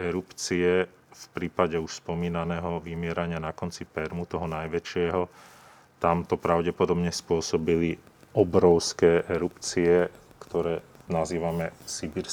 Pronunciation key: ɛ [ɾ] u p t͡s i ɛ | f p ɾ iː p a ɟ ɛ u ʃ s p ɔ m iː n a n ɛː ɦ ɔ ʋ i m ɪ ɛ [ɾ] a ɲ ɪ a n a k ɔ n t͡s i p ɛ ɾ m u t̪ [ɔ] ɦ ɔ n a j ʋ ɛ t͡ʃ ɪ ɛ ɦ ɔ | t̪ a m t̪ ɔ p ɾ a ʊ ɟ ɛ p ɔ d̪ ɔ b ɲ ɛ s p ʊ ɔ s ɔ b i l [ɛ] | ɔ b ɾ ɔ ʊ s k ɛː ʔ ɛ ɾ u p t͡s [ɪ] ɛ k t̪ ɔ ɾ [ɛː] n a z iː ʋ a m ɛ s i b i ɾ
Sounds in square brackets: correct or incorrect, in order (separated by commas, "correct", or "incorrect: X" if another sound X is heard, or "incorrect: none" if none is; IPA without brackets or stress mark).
correct, correct, correct, incorrect: i, incorrect: i, correct